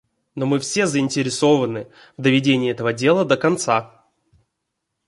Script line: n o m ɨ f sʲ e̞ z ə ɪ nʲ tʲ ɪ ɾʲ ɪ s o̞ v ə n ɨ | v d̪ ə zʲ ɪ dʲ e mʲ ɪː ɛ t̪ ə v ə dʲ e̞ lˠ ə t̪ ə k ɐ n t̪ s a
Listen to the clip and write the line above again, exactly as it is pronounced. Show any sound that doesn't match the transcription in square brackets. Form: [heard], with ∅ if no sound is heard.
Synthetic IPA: n o m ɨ f sʲ e̞ z ə ɪ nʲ tʲ ɪ ɾʲ ɪ s o̞ v ə n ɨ | v d̪ ə [vʲ] ɪ dʲ e [nʲ] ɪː ɛ t̪ ə v ə dʲ e̞ lˠ ə [d̪] ə k ɐ n t̪ s a